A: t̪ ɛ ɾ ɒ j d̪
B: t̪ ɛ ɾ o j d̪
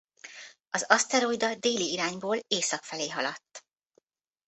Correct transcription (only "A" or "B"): B